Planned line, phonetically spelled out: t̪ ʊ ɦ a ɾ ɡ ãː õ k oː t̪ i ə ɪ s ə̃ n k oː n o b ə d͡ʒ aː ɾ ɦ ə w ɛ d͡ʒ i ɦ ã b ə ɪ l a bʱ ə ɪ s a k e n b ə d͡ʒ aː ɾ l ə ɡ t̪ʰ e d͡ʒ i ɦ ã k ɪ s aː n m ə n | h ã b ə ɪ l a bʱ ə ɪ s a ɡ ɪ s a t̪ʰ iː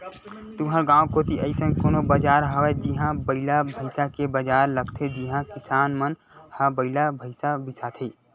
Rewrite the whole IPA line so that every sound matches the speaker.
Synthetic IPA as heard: t̪ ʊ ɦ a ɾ ɡ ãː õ k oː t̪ i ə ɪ s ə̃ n k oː n o b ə d͡ʒ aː ɾ ɦ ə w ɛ d͡ʒ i ɦ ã b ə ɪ l a bʱ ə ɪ s a k e b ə d͡ʒ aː ɾ l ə ɡ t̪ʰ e d͡ʒ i ɦ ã k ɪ s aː n m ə n | h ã b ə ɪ l a bʱ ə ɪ s a b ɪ s a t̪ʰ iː